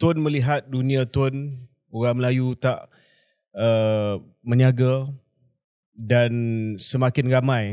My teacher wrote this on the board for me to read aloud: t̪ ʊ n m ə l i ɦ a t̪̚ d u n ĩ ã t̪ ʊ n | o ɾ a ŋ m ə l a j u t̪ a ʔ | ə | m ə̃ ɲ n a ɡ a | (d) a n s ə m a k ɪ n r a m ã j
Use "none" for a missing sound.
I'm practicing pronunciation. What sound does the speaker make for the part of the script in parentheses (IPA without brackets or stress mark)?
d